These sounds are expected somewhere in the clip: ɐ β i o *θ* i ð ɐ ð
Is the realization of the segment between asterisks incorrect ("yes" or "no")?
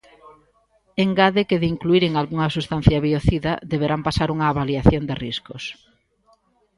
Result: no